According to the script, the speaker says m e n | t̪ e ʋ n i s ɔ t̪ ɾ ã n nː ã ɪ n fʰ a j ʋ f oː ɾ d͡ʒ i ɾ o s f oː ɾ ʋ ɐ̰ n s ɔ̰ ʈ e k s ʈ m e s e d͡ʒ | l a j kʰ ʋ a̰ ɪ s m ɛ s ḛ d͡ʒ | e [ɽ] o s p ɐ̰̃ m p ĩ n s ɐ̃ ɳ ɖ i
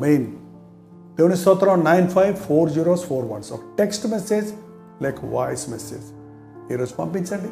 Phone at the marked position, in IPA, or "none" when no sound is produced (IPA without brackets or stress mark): ɾ